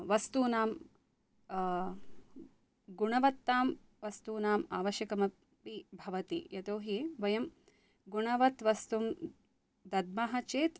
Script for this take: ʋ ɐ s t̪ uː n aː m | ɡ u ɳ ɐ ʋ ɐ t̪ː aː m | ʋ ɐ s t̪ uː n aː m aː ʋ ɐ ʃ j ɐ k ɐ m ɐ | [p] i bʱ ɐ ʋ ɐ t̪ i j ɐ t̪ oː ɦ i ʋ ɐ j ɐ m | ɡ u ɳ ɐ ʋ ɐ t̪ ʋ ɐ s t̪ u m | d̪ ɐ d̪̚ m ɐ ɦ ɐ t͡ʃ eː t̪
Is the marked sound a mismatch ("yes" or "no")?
no